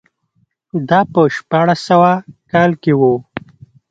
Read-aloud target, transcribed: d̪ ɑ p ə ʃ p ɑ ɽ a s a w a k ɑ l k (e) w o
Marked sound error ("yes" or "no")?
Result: no